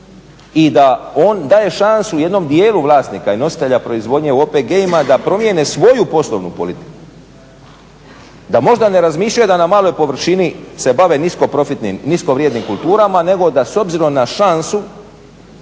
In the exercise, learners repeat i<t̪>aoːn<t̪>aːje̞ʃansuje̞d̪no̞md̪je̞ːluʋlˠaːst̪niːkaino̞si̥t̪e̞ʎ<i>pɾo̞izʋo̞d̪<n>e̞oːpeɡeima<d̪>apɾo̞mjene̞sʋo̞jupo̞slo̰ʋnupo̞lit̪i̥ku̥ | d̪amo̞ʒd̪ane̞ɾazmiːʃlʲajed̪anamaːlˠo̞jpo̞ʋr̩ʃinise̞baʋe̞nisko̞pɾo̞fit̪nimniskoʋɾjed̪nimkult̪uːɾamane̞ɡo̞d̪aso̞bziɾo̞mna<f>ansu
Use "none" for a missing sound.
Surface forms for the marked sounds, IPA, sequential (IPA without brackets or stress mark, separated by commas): d̪, d̪, a, ɲ, d̪, ʃ